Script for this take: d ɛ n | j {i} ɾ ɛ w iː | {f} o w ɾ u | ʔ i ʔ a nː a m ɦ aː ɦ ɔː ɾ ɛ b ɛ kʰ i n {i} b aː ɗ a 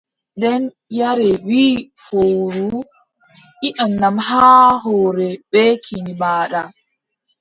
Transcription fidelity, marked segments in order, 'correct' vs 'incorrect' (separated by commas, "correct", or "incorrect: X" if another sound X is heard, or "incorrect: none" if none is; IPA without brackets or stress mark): incorrect: a, correct, correct